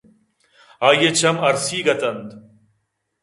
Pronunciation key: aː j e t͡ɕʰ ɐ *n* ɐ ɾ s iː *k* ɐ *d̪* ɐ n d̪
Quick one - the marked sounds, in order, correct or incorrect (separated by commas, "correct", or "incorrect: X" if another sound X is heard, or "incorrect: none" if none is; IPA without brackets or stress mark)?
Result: incorrect: m, incorrect: ɡ, incorrect: t̪